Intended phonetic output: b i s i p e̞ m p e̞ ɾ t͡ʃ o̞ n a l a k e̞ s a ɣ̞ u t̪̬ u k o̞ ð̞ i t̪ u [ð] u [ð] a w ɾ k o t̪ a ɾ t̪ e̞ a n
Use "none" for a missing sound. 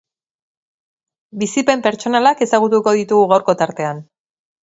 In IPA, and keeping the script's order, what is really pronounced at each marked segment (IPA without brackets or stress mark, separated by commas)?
ɣ, ɣ